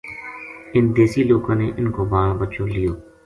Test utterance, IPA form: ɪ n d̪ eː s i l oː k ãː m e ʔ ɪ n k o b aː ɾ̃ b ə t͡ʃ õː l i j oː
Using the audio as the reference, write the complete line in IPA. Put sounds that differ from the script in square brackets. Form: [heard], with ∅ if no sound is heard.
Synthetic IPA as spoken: ɪ n d̪ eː s i l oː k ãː [n] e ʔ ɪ n k o b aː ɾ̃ b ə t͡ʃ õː l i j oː

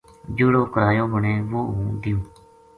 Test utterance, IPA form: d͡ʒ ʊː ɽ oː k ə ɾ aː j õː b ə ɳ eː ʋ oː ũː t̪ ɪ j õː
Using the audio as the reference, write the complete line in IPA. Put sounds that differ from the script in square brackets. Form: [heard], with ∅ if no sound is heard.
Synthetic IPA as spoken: d͡ʒ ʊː ɽ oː k ə ɾ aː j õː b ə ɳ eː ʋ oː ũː [d̪] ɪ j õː

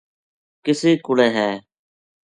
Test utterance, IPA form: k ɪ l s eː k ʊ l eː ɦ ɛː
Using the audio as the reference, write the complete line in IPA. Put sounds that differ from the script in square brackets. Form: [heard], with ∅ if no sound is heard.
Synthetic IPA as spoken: k ɪ [∅] s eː k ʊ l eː ɦ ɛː

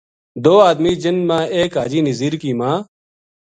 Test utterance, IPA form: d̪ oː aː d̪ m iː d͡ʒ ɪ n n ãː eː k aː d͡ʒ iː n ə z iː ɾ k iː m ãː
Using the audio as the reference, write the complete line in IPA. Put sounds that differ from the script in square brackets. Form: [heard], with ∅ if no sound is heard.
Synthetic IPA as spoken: d̪ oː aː d̪ m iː d͡ʒ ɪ n [m] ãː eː k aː d͡ʒ iː n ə z iː ɾ k iː m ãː

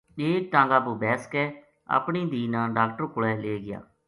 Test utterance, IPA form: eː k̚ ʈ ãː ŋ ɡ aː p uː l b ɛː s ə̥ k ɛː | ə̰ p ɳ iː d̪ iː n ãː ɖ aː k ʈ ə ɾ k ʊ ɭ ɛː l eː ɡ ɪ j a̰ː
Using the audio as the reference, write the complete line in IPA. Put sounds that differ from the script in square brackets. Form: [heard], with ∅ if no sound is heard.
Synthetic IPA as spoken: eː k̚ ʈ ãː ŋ ɡ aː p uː [∅] b ɛː s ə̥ k ɛː | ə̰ p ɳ iː d̪ iː n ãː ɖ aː k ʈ ə ɾ k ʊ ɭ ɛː l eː ɡ ɪ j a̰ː

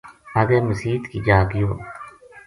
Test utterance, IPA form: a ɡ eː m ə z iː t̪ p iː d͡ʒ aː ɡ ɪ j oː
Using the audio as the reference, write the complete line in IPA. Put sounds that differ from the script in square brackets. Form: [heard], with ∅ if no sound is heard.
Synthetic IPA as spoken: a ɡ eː m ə [s] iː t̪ [k] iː d͡ʒ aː ɡ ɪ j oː

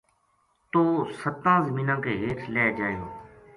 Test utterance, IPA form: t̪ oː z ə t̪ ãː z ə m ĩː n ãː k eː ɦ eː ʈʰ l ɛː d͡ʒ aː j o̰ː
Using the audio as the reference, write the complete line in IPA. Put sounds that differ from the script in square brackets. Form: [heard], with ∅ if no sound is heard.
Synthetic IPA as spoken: t̪ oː [s] ə t̪ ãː z ə m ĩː n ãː k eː ɦ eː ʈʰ l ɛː d͡ʒ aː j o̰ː

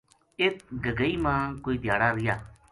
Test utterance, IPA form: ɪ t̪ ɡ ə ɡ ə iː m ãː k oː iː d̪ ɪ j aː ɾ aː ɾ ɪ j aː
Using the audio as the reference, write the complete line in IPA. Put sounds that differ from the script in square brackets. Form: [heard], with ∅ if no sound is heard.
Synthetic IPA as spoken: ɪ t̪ ɡ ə ɡ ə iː m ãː k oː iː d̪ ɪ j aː [ɽ] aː ɾ ɪ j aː

